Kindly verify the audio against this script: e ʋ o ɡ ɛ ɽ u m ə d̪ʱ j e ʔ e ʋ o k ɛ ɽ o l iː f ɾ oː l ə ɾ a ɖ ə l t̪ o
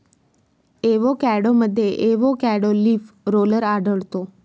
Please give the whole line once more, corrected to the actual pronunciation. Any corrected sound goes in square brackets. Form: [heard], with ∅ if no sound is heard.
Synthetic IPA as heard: e ʋ o [k] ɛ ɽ [o] m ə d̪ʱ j e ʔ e ʋ o k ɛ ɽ o l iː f ɾ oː l ə ɾ a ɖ ə [ɭ] t̪ o